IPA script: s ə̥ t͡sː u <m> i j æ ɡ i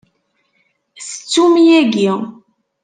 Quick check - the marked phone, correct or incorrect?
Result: correct